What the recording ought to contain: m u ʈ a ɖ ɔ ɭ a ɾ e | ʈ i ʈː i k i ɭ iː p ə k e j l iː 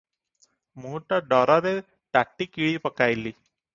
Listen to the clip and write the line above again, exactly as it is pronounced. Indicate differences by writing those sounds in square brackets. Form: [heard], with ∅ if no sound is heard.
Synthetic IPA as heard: m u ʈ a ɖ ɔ [ɾ] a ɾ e | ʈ [a] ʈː i k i ɭ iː p ə k [a] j l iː